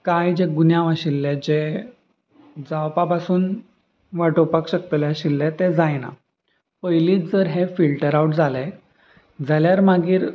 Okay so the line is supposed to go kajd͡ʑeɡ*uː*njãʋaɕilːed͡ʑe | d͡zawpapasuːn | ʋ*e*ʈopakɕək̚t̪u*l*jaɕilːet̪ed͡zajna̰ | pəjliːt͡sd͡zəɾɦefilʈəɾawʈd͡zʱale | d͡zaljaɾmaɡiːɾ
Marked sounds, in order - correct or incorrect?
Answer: incorrect: u, incorrect: a, correct

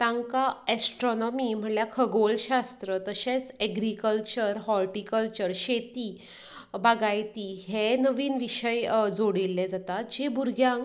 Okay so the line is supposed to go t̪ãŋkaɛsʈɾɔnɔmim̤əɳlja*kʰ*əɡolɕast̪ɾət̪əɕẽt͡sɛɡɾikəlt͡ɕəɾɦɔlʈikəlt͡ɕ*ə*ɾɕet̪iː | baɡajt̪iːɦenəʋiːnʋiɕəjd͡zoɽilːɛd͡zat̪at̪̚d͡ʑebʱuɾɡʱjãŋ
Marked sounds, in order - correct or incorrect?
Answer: correct, correct

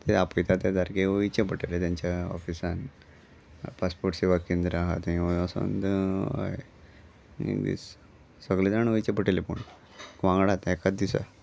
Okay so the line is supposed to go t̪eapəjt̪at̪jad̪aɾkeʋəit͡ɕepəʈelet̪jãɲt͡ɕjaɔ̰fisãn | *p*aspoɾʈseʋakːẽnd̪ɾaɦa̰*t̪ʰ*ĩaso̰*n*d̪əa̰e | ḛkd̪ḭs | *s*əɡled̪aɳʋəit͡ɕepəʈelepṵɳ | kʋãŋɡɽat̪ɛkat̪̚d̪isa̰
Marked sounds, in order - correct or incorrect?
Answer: correct, incorrect: t̪, correct, correct

